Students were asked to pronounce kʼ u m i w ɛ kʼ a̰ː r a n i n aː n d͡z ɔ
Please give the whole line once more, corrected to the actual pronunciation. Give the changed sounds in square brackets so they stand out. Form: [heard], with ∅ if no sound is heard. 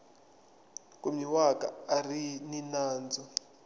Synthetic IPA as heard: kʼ u m i w [a] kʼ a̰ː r [i] n i n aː n d͡z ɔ